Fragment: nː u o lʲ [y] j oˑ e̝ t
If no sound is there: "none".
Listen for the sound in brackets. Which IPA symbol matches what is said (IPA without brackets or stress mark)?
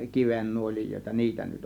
i